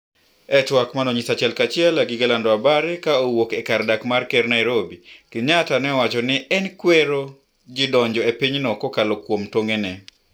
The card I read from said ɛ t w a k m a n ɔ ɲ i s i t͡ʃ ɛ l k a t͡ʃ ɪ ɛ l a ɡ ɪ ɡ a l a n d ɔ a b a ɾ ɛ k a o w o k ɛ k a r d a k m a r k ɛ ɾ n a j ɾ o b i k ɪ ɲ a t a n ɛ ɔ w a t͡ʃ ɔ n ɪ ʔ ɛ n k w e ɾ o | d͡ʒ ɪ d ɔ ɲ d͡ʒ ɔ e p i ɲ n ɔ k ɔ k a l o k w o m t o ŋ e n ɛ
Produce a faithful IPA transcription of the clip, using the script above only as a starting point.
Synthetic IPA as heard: ɛ t w a k m a n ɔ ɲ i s a t͡ʃ ɛ l k a t͡ʃ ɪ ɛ l a ɡ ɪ ɡ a l a n d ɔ a b a ɾ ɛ k a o w o k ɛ k a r d a k m a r k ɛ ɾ n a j ɾ o b i k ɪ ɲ a t a n ɛ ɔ w a t͡ʃ ɔ n ɪ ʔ ɛ n k w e ɾ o | d͡ʒ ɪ d ɔ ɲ d͡ʒ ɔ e p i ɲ n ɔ k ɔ k a l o k w o m t o ŋ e n ɛ